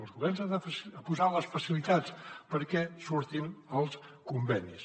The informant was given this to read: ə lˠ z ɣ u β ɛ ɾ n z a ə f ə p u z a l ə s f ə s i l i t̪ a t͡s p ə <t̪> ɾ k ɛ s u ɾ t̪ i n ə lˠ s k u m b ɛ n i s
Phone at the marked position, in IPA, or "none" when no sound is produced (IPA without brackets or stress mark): none